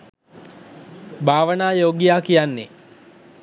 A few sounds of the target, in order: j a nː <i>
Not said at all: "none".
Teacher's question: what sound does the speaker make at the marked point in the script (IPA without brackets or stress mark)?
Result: e